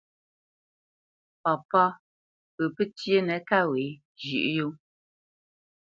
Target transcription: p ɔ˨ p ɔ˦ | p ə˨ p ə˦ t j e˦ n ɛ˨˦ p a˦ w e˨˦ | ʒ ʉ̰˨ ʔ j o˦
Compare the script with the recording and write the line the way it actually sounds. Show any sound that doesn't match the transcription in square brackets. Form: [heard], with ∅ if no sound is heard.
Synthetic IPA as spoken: p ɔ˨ p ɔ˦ | p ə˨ p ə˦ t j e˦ n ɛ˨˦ [k] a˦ w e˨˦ | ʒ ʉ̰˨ ʔ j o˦